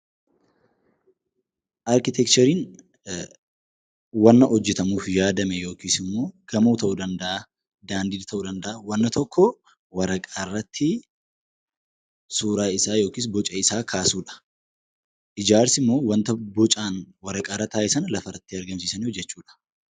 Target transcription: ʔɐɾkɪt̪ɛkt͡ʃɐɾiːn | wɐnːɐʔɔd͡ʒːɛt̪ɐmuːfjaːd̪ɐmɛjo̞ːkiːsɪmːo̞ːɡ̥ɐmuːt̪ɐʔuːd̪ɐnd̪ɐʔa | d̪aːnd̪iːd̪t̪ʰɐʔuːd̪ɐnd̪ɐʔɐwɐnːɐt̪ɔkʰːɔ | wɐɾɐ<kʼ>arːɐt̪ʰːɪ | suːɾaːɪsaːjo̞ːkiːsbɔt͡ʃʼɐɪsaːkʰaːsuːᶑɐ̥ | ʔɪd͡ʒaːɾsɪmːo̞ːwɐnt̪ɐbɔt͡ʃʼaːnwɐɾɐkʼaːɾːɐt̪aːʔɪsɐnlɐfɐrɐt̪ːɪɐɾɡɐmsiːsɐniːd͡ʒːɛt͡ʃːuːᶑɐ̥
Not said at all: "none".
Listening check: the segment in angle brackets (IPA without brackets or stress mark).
kʼ